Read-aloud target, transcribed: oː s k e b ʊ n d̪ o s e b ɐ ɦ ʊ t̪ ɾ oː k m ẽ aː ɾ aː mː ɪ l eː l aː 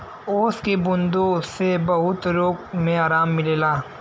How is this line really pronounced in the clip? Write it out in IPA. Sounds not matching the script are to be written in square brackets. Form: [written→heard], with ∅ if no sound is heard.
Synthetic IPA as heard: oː s k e b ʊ n d̪ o s e b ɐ ɦ ʊ t̪ ɾ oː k m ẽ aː ɾ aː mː ɪ l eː l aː